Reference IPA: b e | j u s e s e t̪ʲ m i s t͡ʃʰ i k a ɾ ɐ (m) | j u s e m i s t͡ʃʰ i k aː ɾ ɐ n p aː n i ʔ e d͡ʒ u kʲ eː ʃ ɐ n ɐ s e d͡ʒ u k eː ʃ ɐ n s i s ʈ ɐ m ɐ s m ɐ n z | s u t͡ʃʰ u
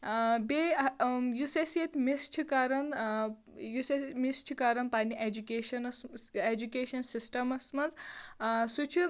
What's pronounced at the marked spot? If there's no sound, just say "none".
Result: n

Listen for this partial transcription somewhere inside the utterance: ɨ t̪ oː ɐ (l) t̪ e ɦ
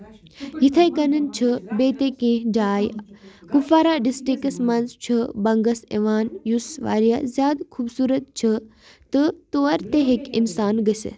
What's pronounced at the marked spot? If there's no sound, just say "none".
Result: ɾ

